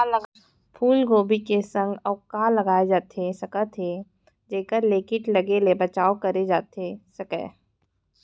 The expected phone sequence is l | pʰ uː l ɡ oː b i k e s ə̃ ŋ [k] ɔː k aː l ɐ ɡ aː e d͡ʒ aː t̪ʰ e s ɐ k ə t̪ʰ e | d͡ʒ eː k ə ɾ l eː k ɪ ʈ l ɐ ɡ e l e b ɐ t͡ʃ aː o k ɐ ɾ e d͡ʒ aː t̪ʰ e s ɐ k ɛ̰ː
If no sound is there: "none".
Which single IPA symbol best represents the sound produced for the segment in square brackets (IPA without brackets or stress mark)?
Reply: ɡ